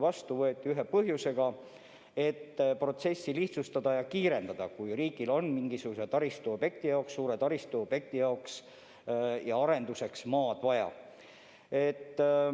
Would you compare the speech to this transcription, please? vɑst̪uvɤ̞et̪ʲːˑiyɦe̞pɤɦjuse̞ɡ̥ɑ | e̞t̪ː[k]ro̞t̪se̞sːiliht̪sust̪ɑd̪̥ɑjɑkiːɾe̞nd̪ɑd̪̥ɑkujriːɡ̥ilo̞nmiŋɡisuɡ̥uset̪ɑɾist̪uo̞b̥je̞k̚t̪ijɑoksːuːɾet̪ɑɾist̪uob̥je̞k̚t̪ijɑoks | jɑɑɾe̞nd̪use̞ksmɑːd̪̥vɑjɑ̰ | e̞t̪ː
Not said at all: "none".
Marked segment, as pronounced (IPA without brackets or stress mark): p